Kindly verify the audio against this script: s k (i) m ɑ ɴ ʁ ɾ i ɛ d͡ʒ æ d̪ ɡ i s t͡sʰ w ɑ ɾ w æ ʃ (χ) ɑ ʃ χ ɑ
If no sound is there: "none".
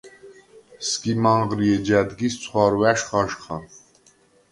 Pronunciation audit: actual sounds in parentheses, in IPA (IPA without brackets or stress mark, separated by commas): i, χ